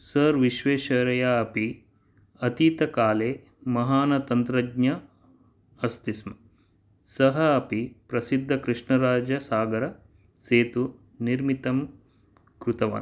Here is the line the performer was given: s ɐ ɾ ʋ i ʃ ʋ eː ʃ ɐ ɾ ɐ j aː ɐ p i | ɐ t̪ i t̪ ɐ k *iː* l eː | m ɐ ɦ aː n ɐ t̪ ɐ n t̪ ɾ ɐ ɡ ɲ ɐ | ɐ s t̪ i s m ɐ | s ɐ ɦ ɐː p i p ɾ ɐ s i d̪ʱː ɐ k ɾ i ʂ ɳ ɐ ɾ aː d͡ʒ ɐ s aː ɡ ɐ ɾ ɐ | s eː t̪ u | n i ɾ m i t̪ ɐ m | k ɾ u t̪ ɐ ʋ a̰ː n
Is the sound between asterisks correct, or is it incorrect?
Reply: incorrect